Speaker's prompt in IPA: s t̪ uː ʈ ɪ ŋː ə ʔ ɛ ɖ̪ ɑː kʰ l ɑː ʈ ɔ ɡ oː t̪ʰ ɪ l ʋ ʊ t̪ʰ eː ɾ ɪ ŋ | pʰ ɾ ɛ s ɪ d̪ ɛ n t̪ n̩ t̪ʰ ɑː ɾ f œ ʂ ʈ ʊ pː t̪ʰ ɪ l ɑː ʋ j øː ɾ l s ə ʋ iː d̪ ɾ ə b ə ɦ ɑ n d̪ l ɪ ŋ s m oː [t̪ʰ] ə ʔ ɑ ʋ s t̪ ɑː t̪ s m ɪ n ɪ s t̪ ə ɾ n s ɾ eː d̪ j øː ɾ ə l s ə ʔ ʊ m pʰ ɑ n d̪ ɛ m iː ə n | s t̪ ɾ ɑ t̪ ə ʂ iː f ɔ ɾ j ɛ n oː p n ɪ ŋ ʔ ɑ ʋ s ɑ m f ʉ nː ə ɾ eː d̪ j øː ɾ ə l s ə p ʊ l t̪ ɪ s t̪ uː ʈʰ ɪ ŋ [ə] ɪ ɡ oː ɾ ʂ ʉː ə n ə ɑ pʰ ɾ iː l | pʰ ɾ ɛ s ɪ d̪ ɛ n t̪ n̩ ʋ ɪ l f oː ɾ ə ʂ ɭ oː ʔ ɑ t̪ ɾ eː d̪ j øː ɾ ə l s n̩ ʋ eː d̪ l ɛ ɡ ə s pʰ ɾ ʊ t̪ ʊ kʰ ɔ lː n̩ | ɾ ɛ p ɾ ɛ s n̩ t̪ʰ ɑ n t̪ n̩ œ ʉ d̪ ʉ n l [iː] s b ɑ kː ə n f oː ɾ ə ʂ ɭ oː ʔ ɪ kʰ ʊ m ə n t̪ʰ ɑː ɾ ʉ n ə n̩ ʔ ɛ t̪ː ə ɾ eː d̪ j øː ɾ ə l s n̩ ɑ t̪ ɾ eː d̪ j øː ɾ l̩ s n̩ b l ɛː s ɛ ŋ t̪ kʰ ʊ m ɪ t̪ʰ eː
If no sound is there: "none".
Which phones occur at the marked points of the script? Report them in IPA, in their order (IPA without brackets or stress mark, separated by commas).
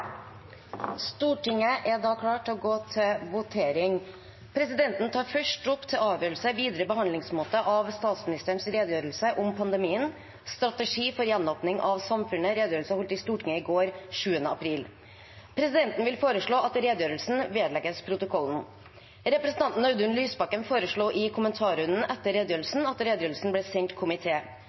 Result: t̪, ə, yː